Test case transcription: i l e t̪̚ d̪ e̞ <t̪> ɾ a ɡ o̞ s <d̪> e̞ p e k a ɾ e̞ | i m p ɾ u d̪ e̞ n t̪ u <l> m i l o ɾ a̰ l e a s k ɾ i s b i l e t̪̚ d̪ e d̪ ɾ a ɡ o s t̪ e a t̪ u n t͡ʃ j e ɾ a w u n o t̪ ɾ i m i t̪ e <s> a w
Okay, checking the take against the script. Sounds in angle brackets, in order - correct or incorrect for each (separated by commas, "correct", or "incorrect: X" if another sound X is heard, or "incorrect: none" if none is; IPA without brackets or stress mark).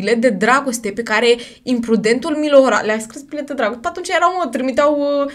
incorrect: d̪, incorrect: t̪, correct, incorrect: none